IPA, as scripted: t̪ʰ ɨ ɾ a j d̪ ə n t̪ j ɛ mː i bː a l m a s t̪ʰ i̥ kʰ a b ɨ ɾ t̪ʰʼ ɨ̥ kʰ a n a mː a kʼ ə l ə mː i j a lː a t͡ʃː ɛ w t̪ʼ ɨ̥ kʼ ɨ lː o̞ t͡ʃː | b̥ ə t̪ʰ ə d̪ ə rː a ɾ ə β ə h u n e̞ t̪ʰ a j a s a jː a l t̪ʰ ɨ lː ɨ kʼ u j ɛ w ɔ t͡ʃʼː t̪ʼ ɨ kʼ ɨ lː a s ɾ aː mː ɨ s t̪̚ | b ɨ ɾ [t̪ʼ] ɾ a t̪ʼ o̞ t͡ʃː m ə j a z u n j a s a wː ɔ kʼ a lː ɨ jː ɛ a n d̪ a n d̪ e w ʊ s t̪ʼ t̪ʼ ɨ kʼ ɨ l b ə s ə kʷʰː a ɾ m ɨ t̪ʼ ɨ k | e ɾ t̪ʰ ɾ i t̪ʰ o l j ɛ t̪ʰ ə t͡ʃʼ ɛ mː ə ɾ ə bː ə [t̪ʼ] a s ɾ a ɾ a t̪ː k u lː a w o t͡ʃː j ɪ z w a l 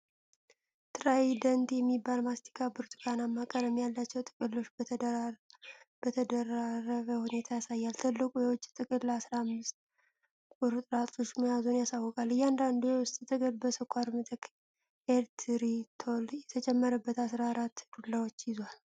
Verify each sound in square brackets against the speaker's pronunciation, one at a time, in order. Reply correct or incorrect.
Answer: correct, incorrect

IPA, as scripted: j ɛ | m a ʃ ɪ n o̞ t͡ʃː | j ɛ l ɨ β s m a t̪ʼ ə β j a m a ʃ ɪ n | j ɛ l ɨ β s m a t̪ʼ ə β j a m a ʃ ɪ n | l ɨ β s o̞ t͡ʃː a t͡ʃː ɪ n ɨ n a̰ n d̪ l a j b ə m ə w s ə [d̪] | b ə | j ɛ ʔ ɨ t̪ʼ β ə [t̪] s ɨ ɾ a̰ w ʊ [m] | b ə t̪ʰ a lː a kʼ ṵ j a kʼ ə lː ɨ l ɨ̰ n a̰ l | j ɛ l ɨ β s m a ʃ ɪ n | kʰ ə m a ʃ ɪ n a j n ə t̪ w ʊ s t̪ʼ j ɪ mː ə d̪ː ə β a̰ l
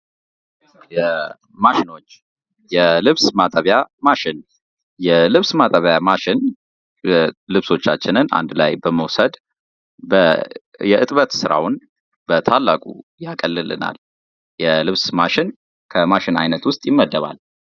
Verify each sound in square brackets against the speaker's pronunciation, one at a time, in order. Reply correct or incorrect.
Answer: correct, correct, incorrect

